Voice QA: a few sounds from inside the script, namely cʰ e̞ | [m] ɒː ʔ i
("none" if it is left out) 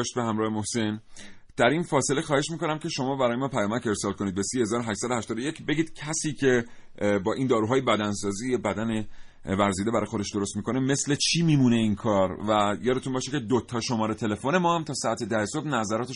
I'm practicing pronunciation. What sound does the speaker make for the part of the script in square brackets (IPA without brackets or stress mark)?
b